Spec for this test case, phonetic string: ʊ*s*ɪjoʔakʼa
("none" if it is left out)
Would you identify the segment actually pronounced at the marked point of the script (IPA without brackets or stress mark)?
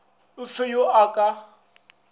f